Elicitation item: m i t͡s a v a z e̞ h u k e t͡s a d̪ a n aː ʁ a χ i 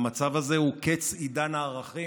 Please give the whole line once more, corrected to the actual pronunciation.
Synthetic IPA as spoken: m a t͡s a v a z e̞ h u k e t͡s i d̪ a n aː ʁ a χ i